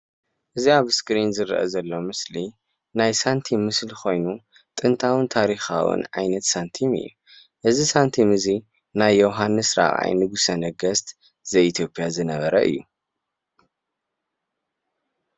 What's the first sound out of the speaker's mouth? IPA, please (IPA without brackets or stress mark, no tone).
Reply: ʔ